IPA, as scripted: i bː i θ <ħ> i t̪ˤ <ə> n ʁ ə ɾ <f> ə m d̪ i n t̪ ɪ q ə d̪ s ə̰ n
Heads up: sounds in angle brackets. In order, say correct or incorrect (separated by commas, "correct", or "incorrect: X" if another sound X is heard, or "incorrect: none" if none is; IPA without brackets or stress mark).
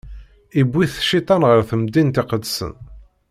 incorrect: ʃ, incorrect: ɑ, incorrect: θ